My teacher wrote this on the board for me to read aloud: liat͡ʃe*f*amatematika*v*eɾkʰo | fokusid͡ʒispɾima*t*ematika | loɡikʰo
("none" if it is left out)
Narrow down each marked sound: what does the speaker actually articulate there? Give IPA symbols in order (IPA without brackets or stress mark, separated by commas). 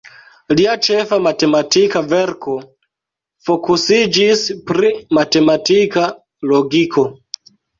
f, v, t